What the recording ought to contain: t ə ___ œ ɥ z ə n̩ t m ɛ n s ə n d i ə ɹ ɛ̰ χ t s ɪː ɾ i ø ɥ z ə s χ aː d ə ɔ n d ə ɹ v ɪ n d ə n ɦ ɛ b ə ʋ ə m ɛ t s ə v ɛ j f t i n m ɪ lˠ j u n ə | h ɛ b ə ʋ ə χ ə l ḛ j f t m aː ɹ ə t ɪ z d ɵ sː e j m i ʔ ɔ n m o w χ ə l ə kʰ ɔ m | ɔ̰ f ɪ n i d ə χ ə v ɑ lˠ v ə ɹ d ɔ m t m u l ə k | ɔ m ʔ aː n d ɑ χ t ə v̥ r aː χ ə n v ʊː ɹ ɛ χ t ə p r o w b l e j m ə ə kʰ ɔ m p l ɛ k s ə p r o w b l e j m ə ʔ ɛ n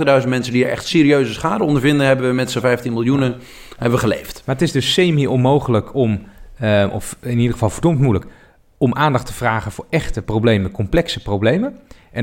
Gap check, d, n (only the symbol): d